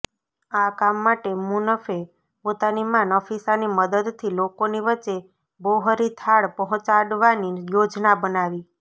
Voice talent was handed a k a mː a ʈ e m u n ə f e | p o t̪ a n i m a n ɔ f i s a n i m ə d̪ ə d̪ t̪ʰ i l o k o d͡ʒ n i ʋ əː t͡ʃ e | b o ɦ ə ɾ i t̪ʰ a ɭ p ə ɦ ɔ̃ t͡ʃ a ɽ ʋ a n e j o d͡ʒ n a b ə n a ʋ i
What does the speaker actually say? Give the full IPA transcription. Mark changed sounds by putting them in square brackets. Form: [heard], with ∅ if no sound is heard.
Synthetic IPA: a k a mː a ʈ e m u n ə f e | p o t̪ a n i m a n ɔ f i s a n i m ə d̪ ə d̪ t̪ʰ i l o k o [∅] n i ʋ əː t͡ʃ e | b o ɦ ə ɾ i t̪ʰ a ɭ p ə ɦ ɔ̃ t͡ʃ a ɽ ʋ a n [i] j o d͡ʒ n a b ə n a ʋ i